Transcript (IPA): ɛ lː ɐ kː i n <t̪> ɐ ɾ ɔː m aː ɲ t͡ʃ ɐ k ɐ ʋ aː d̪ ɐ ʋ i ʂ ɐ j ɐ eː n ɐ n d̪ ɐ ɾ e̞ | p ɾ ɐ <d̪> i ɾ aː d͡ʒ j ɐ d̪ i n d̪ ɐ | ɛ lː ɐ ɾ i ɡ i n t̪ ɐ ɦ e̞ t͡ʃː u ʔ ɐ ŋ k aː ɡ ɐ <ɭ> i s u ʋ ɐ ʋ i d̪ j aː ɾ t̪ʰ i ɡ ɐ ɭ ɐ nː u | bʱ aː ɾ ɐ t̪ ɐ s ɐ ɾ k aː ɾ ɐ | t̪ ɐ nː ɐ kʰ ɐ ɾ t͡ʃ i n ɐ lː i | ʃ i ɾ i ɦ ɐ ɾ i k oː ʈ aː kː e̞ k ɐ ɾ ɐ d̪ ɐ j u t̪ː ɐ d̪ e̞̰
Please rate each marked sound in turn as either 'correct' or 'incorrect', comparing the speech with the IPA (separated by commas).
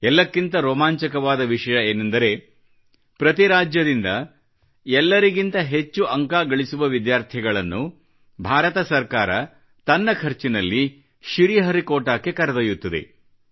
correct, incorrect, correct